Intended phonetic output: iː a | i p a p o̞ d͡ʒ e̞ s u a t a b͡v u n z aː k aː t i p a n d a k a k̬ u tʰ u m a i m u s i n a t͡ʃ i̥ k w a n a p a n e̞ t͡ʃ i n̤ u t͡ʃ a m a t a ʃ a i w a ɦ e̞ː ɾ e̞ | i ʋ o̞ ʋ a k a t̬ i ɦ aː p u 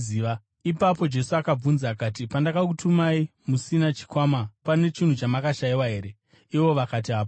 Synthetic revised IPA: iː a | i p a p o̞ d͡ʒ e̞ s u a k a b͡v u n z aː k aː t i p a n d a k a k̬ u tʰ u m a i m u s i n a t͡ʃ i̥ k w a m a p a n e̞ t͡ʃ i n̤ u t͡ʃ a m a k a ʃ a i w a ɦ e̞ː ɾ e̞ | i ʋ o̞ ʋ a k a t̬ i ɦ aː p o